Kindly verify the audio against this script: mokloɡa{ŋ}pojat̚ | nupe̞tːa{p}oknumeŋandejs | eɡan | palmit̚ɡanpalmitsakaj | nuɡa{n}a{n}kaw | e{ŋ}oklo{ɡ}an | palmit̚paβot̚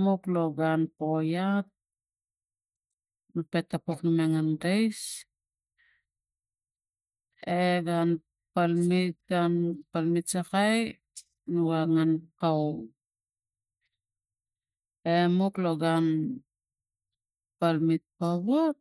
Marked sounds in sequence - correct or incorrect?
incorrect: n, correct, incorrect: ŋ, correct, incorrect: m, correct

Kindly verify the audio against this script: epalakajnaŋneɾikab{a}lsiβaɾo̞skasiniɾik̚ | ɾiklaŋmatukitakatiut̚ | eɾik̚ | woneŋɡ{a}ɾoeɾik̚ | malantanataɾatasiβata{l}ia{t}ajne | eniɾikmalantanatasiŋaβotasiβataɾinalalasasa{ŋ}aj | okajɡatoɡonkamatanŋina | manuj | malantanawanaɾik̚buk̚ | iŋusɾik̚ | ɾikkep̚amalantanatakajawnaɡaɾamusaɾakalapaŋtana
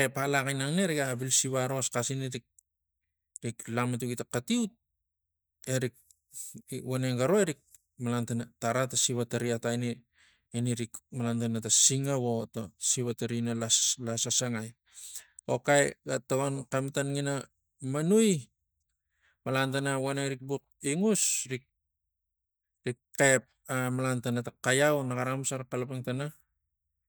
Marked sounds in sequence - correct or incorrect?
incorrect: i, correct, incorrect: ɾ, correct, correct

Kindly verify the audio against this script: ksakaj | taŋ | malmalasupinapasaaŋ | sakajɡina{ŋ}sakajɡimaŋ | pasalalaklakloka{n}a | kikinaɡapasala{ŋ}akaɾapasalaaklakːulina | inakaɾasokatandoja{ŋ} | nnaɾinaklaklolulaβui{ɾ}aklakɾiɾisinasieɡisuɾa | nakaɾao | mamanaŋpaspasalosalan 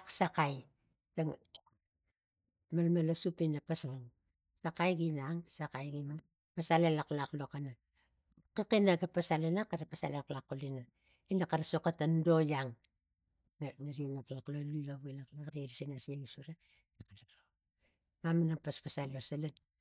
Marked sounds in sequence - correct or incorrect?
correct, correct, incorrect: n, correct, incorrect: l

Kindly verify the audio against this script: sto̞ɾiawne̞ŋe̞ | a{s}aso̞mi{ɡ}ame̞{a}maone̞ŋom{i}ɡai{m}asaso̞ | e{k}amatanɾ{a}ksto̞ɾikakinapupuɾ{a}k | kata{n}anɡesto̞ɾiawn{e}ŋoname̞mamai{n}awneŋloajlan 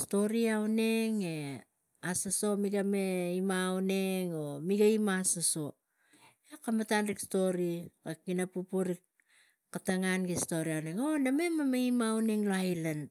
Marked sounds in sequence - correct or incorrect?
correct, correct, incorrect: i, correct, correct, correct, incorrect: i, incorrect: i, incorrect: ŋ, correct, incorrect: m

